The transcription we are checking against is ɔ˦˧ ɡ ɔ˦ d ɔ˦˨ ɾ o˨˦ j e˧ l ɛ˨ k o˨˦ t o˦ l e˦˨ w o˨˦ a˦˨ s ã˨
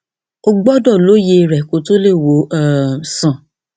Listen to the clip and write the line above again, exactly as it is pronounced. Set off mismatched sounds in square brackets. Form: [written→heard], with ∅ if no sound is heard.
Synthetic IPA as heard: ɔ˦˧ [ɡ→ɡ͡b] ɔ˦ d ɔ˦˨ [ɾ→l] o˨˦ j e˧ [l→ɾ] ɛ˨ k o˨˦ t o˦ l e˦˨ w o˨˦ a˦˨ s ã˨